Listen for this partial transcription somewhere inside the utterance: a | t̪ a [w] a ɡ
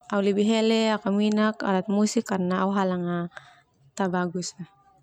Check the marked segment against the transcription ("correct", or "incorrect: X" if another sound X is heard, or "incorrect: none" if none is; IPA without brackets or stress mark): incorrect: b